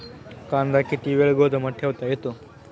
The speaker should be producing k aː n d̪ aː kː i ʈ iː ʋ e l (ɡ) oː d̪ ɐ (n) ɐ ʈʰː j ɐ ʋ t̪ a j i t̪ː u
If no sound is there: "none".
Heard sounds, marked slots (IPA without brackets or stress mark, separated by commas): ɡ, m